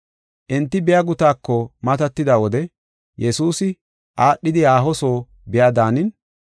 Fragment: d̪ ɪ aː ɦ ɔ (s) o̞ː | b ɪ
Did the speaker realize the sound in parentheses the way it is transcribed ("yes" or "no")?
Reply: yes